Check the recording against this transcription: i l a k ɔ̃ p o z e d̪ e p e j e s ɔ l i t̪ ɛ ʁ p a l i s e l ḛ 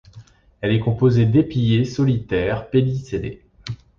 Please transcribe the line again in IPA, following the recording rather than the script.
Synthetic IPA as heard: ɛ l ɛ k ɔ̃ p o z e d̪ e p i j e s ɔ l i t̪ ɛ ʁ p e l i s e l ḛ